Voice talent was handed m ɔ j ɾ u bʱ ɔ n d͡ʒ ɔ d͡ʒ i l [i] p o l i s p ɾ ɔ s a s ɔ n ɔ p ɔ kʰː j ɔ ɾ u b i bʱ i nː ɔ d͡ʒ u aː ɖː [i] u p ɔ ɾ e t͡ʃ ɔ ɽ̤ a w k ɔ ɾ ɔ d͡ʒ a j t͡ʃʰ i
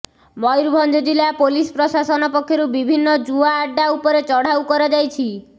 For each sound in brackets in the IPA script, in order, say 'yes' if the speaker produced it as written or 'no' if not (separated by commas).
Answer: no, no